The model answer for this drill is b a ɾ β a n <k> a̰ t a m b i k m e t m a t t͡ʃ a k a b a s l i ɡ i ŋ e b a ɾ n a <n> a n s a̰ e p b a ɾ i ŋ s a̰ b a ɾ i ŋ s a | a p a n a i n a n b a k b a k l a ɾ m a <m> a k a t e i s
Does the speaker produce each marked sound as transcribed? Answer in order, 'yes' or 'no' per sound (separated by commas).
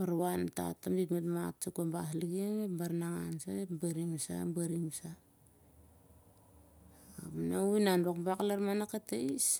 no, no, no